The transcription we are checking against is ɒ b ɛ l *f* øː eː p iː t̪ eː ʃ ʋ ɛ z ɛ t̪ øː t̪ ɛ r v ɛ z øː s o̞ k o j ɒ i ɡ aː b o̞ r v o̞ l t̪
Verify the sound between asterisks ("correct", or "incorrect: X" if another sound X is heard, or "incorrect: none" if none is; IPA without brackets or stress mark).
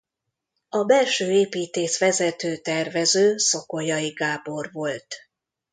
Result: incorrect: ʃ